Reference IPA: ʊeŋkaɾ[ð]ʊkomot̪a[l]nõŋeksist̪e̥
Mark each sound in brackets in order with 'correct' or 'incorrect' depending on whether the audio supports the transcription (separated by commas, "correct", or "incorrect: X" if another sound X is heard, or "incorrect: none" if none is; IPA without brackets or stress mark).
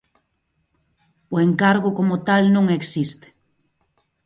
incorrect: ɣ, correct